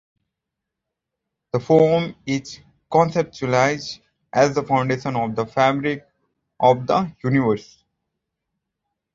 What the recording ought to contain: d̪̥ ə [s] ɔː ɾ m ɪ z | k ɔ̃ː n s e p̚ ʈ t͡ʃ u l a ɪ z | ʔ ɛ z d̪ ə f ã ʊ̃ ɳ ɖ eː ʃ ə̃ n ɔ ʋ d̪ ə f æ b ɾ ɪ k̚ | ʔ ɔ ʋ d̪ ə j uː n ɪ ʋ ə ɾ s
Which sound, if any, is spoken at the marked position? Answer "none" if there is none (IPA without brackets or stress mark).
f